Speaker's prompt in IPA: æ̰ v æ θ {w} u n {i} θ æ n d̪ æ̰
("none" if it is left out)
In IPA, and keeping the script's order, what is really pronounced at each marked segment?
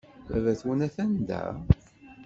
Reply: w, æ

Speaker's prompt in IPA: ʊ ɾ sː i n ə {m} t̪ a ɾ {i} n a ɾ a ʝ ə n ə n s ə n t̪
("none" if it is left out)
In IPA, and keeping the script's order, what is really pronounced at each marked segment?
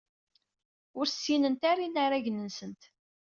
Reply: n, i

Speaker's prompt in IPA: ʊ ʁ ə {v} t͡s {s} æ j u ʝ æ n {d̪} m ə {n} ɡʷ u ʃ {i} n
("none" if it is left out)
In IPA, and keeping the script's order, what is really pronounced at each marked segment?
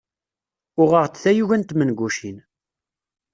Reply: ʁ, θ, t̪, n, i

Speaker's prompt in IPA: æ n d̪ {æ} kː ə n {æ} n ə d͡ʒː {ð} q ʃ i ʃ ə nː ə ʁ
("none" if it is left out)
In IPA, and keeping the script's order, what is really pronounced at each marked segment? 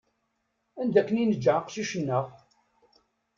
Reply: æ, i, ʕ

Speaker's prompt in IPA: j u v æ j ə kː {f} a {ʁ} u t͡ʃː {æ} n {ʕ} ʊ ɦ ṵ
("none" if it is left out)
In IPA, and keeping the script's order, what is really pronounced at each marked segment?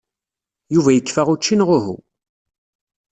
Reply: f, ʁ, i, ʁ

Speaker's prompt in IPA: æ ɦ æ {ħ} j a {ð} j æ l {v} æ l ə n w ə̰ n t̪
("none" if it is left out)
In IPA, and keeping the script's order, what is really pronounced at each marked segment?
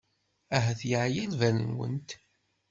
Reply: θ, ʕ, v

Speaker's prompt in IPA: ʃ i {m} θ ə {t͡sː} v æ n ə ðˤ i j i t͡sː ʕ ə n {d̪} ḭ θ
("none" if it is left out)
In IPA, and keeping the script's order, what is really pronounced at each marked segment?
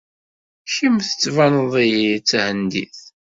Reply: m, t͡sː, d̪

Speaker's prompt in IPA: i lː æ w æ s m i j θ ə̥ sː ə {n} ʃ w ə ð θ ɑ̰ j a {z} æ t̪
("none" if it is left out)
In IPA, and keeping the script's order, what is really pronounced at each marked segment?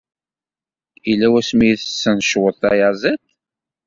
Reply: n, z

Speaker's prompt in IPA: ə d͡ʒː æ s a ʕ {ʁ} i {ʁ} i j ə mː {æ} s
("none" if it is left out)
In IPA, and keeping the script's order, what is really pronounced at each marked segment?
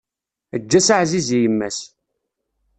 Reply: z, z, æ

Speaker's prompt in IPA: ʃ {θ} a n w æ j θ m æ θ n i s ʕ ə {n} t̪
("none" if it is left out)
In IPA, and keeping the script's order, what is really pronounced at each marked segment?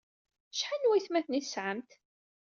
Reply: ħ, m

